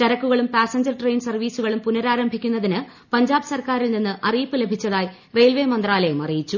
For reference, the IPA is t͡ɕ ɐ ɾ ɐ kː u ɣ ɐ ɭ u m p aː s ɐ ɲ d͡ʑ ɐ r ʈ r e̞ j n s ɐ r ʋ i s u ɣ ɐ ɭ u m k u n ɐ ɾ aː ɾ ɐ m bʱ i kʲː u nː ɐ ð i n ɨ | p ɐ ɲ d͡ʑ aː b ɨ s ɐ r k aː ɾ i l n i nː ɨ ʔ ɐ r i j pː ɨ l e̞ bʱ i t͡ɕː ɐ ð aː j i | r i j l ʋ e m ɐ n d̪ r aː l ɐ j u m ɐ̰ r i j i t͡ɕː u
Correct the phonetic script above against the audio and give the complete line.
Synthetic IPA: t͡ɕ ɐ ɾ ɐ kː u ɣ ɐ ɭ u m p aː s ɐ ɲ d͡ʑ ɐ r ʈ r e̞ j n s ɐ r ʋ iː s u ɣ ɐ ɭ u m p u n ɐ ɾ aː ɾ ɐ m bʱ i kʲː u nː ɐ ð i n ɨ | p ɐ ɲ d͡ʑ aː b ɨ s ɐ r k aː ɾ i l n i nː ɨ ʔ ɐ r i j pː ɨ l e̞ bʱ i t͡ɕː ɐ ð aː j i | r e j l ʋ e m ɐ n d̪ r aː l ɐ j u m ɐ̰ r i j i t͡ɕː u